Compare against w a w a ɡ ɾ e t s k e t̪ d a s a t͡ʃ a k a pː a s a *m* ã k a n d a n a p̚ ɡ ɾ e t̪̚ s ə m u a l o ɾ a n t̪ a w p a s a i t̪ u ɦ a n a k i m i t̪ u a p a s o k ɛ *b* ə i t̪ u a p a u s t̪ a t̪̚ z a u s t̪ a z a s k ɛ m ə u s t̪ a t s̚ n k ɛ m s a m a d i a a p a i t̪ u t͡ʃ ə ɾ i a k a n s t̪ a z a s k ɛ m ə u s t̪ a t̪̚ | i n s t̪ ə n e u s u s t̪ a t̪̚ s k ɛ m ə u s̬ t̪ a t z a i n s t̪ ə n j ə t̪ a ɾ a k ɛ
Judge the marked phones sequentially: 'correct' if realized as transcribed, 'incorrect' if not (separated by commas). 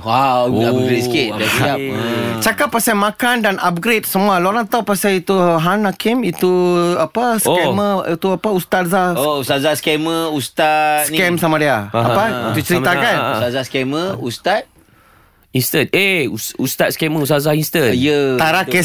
correct, incorrect